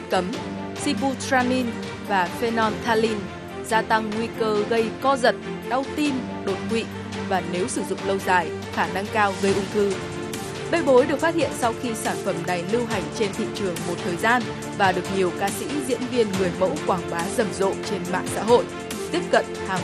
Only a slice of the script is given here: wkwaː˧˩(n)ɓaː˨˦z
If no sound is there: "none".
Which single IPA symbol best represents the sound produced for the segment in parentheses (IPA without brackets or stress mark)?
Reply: ŋ